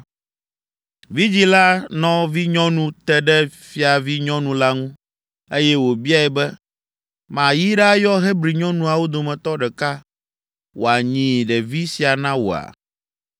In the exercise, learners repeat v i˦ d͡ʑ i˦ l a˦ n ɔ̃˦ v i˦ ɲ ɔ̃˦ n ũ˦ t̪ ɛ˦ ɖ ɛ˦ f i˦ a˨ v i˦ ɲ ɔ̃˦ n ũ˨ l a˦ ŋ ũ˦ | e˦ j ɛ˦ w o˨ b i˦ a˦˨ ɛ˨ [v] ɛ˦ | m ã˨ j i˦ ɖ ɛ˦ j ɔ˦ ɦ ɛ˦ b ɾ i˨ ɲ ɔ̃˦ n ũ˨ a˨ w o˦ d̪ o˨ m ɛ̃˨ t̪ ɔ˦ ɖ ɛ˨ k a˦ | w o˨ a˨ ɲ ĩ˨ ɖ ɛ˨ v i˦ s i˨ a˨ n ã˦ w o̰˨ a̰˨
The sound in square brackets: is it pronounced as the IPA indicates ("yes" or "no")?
no